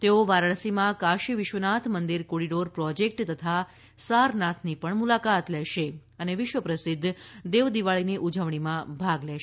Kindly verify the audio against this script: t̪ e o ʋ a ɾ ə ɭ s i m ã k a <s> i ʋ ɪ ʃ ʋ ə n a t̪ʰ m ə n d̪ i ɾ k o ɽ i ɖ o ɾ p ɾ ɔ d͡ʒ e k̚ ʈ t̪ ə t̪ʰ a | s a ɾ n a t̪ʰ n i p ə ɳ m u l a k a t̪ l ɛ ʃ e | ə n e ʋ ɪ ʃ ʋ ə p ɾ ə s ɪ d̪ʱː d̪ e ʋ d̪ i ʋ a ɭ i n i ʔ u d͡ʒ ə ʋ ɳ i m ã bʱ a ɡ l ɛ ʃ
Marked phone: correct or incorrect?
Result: incorrect